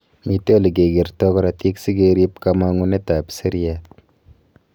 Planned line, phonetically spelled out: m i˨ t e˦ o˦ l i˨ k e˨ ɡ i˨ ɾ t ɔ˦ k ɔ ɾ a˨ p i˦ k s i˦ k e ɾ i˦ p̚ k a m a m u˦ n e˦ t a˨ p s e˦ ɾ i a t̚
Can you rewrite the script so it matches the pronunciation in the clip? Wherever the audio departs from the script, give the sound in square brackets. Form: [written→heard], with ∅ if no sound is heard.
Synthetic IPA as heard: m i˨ t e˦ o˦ l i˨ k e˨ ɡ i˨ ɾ t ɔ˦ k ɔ ɾ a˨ [p→t] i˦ k s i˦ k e ɾ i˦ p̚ k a m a [m→ŋ] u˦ n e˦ t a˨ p s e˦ ɾ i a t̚